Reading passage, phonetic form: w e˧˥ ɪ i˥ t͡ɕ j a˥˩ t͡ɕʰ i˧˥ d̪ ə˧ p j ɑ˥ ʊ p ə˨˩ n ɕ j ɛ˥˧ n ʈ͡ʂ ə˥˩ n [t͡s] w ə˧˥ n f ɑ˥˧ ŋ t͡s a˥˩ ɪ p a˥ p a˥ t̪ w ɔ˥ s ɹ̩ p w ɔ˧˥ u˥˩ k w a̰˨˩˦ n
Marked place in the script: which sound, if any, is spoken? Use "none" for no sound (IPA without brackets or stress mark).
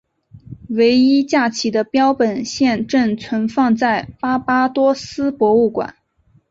t͡sʰ